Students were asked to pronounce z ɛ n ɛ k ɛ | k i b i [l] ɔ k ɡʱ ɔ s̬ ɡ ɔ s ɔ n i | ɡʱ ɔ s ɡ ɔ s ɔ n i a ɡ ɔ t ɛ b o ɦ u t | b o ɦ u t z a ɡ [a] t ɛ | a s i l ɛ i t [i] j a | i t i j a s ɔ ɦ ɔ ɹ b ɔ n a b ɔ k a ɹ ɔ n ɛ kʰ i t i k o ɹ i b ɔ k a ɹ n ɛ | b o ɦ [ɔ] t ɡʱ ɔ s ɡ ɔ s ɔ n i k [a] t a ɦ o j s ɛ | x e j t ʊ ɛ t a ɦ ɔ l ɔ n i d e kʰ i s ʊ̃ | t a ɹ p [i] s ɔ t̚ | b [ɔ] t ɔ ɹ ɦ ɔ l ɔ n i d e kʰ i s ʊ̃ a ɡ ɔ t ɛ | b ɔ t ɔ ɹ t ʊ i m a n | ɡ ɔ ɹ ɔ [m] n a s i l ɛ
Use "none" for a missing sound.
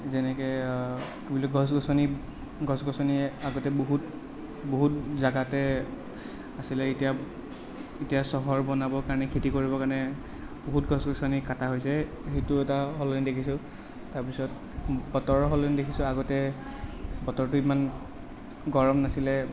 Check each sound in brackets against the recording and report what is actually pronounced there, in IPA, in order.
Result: l, a, i, u, a, i, ɔ, m

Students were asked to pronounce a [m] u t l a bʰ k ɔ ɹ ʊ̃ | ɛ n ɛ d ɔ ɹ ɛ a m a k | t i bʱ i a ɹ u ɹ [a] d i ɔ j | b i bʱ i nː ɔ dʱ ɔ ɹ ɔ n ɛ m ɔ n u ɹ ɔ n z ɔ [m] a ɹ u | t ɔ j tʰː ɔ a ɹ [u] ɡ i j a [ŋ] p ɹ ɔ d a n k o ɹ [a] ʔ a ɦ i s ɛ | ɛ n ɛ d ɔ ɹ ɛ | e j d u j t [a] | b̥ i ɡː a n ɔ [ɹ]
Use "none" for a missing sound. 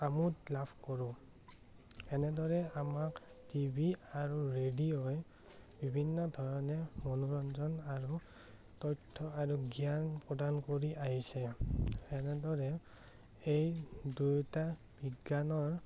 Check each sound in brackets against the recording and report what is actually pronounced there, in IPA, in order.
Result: m, e, n, u, n, i, a, ɹ

